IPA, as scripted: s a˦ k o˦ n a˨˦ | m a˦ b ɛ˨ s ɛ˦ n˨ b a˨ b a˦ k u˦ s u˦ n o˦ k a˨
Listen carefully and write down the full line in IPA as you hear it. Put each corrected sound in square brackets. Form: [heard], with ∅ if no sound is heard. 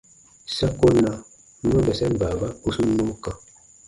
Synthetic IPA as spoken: s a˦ k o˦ n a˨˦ | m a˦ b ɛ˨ s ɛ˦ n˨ b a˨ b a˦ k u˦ s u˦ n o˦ k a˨